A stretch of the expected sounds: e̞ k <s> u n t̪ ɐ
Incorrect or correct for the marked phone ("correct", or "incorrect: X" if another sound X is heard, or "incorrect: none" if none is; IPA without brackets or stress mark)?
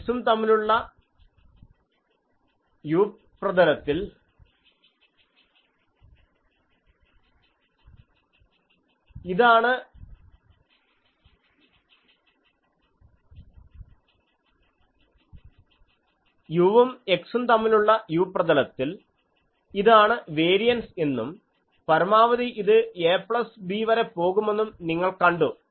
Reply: correct